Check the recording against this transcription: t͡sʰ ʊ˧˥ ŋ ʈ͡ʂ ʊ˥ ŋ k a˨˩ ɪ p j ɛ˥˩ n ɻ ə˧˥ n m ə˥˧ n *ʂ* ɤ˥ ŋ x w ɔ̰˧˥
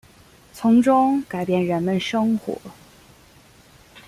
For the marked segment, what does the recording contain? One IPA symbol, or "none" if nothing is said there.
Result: ʂ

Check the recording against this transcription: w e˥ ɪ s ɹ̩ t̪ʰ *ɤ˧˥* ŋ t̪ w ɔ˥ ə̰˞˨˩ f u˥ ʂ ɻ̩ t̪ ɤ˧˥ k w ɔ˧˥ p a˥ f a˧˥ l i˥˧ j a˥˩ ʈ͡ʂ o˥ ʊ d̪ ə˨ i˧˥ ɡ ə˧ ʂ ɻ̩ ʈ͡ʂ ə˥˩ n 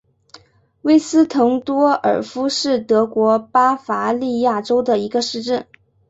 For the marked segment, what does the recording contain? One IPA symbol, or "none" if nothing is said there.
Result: ɤ˧˥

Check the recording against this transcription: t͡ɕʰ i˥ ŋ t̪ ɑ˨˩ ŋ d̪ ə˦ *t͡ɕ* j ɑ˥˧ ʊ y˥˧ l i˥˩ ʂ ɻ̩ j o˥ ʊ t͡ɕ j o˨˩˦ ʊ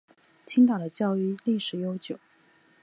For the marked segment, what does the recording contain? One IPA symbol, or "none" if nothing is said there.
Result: t͡ɕ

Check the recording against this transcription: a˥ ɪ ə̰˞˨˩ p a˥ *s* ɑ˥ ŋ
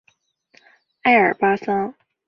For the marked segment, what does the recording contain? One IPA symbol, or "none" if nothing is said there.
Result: s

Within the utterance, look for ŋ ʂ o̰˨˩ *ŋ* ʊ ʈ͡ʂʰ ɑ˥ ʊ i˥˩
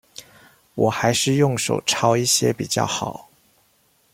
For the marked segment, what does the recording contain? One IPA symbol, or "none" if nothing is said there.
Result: none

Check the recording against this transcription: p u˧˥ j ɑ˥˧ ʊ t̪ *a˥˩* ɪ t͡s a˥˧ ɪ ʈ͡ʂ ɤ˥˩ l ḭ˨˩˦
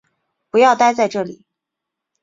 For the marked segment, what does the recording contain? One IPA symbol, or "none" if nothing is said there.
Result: a˥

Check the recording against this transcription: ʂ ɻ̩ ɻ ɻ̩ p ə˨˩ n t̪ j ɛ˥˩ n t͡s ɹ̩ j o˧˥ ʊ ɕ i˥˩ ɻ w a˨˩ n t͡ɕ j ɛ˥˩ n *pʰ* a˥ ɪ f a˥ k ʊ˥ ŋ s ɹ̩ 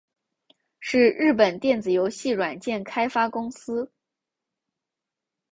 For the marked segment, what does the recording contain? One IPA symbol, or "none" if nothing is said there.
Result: kʰ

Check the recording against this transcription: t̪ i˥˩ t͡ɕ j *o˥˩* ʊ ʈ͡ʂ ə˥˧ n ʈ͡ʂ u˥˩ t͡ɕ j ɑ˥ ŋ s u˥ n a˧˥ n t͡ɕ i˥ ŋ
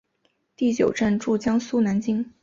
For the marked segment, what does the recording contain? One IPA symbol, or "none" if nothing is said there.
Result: o˨˩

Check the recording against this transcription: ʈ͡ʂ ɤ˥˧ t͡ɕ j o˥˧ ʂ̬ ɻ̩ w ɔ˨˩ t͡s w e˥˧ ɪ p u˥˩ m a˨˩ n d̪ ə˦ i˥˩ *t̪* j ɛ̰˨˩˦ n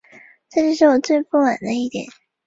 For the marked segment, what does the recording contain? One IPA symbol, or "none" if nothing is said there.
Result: t̪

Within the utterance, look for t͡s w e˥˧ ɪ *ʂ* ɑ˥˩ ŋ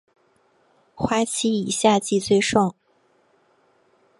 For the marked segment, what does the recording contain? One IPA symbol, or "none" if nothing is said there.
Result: ʂ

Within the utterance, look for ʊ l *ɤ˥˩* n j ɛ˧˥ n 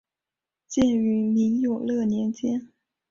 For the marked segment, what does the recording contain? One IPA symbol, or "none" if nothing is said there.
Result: ɤ˥˩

